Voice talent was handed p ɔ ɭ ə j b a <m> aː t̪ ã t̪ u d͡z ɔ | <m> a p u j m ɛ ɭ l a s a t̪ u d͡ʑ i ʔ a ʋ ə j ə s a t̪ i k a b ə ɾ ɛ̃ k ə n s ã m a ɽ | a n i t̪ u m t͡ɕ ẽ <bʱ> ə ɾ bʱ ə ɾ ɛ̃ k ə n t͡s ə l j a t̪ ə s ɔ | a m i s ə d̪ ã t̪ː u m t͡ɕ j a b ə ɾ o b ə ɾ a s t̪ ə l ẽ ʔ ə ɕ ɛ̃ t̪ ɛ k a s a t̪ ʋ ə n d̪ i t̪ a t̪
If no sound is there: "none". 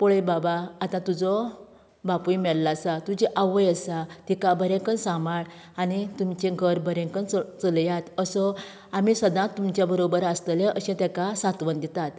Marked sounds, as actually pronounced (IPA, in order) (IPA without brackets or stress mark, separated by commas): b, b, ɡʱ